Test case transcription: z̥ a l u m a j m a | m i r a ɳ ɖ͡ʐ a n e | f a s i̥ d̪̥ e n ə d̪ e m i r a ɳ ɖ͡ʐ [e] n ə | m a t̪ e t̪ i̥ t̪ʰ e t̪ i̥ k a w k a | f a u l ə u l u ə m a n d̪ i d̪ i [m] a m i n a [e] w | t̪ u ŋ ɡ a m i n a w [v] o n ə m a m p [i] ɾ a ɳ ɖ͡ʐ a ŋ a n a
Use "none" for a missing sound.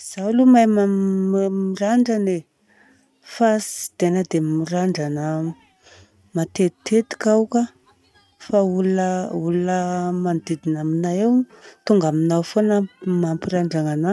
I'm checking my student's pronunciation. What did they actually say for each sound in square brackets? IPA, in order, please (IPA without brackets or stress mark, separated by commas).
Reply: a, n, e, f, i